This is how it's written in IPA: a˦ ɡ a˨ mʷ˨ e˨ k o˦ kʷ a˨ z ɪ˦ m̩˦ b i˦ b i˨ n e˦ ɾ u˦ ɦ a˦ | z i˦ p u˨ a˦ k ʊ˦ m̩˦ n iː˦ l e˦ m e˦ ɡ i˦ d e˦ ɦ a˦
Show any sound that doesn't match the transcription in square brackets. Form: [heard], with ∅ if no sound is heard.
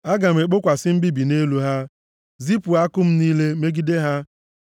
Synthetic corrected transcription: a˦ ɡ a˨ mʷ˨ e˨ [k͡p] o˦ kʷ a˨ [s] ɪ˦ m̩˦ b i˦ b i˨ n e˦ [l] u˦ ɦ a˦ | z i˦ p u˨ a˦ k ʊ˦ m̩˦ n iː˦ l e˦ m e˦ ɡ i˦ d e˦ ɦ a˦